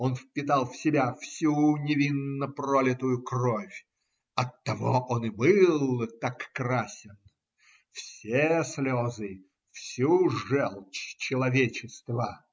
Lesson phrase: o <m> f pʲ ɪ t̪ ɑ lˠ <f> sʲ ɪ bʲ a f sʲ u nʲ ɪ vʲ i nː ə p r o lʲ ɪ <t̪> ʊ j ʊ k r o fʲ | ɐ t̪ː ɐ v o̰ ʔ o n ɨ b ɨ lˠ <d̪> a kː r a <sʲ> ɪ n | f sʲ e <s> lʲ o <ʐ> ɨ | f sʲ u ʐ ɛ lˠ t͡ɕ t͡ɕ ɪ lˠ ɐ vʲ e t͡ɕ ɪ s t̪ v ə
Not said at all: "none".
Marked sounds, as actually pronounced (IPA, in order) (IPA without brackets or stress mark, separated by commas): n, f, t̪, t̪, sʲ, s, z